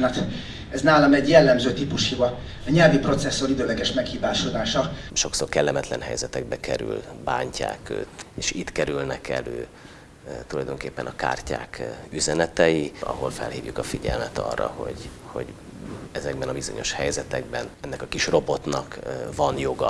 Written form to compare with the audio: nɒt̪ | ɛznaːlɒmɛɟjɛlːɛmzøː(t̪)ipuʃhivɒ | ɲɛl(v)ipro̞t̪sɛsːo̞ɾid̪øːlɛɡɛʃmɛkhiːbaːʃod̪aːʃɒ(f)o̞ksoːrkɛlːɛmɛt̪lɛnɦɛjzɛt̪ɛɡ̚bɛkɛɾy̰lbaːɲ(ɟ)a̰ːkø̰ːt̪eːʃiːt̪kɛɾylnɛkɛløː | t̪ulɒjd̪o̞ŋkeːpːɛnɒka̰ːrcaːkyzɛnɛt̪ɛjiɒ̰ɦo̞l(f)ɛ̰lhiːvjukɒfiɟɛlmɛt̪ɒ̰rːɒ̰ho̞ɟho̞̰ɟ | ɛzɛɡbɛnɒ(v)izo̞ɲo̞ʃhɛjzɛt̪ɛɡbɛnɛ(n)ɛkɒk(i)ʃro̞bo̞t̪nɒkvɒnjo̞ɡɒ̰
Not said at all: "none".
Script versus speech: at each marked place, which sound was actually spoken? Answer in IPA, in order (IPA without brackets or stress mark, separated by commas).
t̪, v, ʃ, c, f, b, nː, i